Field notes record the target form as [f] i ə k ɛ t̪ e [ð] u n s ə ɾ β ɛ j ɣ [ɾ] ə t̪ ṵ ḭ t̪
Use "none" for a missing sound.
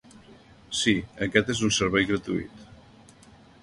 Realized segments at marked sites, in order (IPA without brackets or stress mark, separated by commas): s, z, ɾ